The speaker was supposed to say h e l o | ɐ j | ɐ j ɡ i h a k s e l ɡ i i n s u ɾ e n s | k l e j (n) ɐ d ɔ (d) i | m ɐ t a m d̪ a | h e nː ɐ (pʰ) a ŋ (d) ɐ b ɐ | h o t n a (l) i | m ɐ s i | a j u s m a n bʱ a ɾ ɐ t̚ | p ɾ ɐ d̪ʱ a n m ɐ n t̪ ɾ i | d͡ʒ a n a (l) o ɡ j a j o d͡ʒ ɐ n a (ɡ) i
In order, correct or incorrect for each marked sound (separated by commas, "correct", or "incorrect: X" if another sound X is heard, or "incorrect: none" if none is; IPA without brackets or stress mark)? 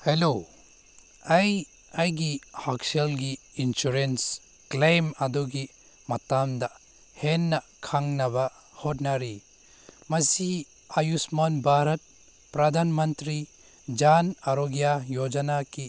incorrect: m, incorrect: ɡ, incorrect: kʰ, incorrect: n, incorrect: ɾ, incorrect: ɾ, incorrect: k